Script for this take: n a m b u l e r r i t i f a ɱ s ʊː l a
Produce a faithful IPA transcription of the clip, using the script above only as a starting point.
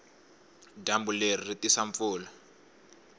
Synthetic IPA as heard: d a m b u l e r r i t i s a ɱ f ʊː l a